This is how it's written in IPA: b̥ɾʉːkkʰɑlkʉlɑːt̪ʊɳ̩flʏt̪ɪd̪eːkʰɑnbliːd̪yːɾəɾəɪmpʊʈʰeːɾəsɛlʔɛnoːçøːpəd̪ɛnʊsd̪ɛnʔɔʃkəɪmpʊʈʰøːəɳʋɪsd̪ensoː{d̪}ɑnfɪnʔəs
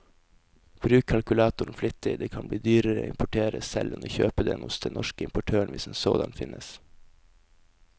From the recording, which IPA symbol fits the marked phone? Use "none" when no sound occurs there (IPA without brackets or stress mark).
d̪